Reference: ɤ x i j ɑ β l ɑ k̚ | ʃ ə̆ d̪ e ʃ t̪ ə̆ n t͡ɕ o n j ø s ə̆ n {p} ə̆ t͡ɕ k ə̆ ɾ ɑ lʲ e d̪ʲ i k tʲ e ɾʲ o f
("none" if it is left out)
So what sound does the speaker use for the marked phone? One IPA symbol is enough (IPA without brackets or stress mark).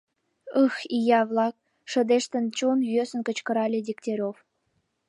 k